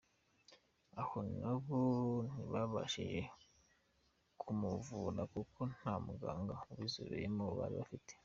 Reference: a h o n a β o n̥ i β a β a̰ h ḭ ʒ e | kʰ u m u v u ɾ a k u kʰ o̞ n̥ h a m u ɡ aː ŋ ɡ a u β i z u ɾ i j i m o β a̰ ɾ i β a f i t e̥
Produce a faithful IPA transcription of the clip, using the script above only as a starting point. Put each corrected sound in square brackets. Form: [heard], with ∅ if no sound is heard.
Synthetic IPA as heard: a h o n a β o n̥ i β a β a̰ [ʃ] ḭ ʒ e | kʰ u m u v u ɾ a k u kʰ o̞ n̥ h a m u ɡ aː ŋ ɡ a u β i z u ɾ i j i m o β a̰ ɾ i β a f i t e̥